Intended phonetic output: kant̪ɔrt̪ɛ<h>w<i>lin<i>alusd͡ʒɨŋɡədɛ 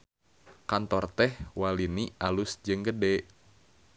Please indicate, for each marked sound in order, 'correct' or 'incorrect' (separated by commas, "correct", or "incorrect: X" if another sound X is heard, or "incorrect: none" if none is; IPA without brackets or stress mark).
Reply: correct, incorrect: a, correct